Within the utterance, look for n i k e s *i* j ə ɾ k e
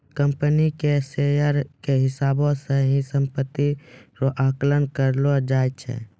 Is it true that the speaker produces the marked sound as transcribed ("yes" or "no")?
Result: no